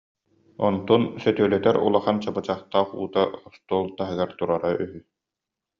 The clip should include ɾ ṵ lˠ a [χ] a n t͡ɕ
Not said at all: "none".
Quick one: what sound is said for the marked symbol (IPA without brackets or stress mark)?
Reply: χ